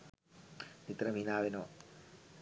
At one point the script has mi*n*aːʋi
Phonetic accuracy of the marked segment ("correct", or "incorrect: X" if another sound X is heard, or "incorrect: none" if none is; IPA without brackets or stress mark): correct